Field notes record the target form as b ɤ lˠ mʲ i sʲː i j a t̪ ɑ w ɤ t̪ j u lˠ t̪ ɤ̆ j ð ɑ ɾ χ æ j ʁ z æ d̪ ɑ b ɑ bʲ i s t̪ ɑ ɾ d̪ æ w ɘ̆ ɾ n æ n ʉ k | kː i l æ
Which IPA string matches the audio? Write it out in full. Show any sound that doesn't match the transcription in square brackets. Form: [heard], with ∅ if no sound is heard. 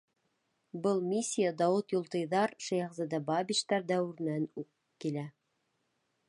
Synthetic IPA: b ɤ lˠ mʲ i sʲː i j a [d̪] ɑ w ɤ t̪ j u lˠ t̪ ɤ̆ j ð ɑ ɾ [ʃ] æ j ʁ z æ d̪ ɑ b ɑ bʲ i [ʃ] t̪ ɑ ɾ d̪ æ w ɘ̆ ɾ n æ n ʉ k | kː i l æ

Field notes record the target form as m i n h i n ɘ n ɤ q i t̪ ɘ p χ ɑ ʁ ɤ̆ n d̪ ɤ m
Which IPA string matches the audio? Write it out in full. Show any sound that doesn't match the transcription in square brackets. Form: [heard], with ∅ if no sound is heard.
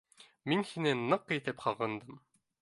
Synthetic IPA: m i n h i n ɘ n ɤ q i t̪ ɘ p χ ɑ ʁ ɤ̆ n d̪ ɤ m

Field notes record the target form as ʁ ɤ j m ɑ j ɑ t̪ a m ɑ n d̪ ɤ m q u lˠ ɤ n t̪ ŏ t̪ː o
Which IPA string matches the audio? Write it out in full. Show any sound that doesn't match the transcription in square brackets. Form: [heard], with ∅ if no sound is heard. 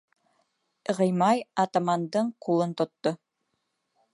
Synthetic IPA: ʁ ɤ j m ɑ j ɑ t̪ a m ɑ n d̪ ɤ [ɴ] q u lˠ ɤ n t̪ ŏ t̪ː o

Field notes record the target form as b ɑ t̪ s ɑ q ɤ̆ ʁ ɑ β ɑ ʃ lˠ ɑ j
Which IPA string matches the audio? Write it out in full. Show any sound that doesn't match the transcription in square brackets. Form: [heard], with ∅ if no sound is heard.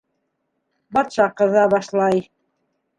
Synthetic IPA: b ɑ t̪ [ʃ] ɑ q ɤ̆ [ð] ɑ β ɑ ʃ lˠ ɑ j

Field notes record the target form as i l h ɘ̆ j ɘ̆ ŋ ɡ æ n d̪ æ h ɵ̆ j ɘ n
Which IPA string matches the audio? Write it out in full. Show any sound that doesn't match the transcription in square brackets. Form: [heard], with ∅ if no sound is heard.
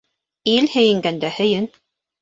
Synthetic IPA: i l h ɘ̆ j ɘ̆ ŋ ɡ æ n d̪ æ h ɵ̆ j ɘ n

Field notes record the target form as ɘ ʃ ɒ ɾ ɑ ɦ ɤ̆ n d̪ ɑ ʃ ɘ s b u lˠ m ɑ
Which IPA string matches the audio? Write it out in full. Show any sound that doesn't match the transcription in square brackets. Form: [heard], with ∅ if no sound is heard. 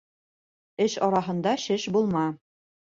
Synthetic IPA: ɘ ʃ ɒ ɾ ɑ ɦ ɤ̆ n d̪ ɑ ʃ ɘ [ʃ] b u lˠ m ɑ

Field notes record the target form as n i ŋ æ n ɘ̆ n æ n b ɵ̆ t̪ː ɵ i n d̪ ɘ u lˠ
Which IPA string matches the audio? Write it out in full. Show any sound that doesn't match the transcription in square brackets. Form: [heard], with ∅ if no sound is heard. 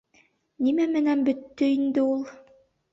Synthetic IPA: n i [m] æ [m] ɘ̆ n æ n b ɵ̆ t̪ː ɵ i n d̪ ɘ u lˠ

